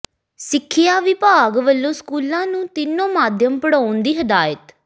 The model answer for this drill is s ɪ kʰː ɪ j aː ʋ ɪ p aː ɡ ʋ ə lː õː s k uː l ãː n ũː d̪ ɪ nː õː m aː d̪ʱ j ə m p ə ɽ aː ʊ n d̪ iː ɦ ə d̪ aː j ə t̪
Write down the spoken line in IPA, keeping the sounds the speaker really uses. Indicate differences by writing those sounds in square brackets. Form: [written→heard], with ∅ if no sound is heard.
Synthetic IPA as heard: s ɪ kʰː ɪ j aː ʋ ɪ p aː ɡ ʋ ə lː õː s k uː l ãː n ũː [d̪→t̪] ɪ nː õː m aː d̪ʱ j ə m p ə ɽ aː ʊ n d̪ iː ɦ ə d̪ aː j ə t̪